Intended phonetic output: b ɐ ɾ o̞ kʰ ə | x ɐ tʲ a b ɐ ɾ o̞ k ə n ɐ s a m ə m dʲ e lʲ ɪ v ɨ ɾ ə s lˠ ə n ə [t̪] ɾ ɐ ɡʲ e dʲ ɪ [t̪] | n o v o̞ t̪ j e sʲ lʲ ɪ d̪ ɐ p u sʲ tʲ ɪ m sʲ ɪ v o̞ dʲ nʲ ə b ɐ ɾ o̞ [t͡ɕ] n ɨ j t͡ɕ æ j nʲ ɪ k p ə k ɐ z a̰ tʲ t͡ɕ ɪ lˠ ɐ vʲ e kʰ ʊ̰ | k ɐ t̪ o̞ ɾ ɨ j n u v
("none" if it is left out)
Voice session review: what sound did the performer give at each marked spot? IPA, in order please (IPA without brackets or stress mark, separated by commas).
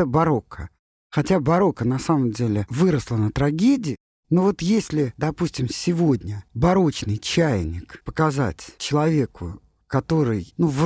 t̪, none, t͡ɕ